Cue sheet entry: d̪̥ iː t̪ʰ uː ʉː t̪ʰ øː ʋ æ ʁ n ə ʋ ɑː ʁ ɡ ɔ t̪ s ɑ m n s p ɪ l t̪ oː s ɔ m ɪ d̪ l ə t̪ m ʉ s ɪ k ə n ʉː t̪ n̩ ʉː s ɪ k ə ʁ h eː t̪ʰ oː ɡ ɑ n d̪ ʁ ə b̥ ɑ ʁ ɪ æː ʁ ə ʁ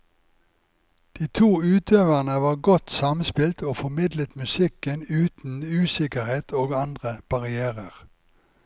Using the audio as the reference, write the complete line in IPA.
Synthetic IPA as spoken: d̪̥ iː t̪ʰ uː ʉː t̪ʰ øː ʋ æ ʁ n ə ʋ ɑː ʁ ɡ ɔ t̪ s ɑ m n s p ɪ l t̪ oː f ɔ m ɪ d̪ l ə t̪ m ʉ s ɪ k ə n ʉː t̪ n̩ ʉː s ɪ k ə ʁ h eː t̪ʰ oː ɡ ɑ n d̪ ʁ ə b̥ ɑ ʁ ɪ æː ʁ ə ʁ

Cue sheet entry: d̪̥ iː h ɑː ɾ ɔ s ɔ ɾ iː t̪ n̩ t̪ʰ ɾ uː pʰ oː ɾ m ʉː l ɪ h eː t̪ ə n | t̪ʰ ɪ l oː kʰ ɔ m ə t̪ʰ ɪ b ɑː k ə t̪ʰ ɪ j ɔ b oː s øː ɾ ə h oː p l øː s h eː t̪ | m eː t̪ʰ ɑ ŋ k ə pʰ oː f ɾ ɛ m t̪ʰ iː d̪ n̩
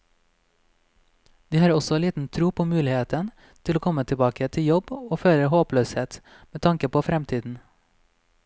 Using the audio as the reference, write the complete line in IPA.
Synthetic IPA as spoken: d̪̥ iː h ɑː ɾ ɔ s ɔ l iː t̪ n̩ t̪ʰ ɾ uː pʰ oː m ʉː l ɪ h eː t̪ ə n | t̪ʰ ɪ l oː kʰ ɔ m ə t̪ʰ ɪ b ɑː k ə t̪ʰ ɪ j ɔ b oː f øː ɾ ə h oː p l øː s h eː t̪ | m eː t̪ʰ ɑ ŋ k ə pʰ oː f ɾ ɛ m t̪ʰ iː d̪ n̩

